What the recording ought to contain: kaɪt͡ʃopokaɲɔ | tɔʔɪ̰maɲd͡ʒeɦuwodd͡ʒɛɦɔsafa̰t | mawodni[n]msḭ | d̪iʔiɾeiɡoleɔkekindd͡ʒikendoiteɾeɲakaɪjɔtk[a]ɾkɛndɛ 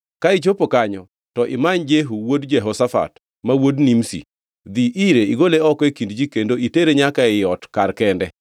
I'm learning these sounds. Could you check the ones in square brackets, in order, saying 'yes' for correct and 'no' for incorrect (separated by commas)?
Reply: no, yes